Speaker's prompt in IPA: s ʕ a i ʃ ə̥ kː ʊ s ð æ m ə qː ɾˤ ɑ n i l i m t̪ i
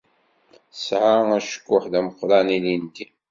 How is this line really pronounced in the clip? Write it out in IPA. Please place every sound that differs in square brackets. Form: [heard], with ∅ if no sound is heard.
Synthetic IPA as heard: s ʕ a [æ] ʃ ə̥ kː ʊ [ħ] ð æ m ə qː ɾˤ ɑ n i l i [n] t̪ i